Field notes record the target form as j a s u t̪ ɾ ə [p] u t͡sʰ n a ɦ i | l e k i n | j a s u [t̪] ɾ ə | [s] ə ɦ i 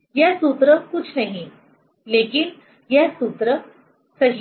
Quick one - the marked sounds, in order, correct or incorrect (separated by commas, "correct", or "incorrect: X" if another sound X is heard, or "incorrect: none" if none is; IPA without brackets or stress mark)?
incorrect: k, correct, correct